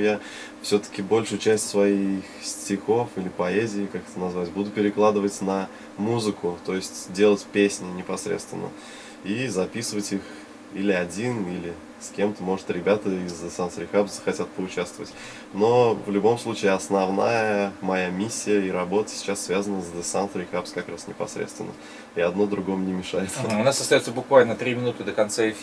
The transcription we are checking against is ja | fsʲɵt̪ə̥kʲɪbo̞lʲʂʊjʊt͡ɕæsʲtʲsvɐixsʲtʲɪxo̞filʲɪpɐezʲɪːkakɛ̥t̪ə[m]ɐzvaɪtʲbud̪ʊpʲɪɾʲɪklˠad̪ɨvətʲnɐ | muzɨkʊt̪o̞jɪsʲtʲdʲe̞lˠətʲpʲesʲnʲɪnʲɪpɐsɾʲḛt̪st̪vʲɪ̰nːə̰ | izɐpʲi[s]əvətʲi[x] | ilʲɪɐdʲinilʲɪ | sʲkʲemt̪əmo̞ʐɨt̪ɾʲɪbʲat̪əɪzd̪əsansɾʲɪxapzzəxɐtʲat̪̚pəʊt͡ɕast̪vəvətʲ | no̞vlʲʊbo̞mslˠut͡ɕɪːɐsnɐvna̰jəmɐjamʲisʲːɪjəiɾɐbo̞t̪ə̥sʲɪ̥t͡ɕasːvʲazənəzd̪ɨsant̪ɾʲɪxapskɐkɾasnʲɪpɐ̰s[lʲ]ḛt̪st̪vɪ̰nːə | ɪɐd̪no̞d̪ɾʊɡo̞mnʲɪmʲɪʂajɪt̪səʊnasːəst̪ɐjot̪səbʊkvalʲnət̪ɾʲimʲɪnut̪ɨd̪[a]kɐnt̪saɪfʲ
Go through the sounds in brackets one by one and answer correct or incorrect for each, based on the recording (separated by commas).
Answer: incorrect, correct, correct, incorrect, incorrect